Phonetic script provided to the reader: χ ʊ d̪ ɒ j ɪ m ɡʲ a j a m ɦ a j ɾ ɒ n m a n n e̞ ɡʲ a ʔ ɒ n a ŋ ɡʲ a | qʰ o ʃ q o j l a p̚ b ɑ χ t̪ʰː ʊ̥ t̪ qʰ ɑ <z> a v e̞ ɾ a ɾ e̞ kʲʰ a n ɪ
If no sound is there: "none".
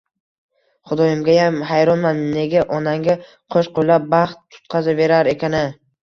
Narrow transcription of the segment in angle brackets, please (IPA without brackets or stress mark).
z